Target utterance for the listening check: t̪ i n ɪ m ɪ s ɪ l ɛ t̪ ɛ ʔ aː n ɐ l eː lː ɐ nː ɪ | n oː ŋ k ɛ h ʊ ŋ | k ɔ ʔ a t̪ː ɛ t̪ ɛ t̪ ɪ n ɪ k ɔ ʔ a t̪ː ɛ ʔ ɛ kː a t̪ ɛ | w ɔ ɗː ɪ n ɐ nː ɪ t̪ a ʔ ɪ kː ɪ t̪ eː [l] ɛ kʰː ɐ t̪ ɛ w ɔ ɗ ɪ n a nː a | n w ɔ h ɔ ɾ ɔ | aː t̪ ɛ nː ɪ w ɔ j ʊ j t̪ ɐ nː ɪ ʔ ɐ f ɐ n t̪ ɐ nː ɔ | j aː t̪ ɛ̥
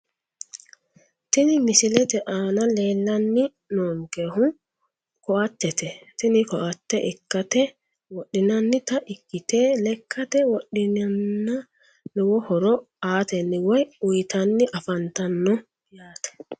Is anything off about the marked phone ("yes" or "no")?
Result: no